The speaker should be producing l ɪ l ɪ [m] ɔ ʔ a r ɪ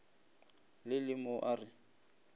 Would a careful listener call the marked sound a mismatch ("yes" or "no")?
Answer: no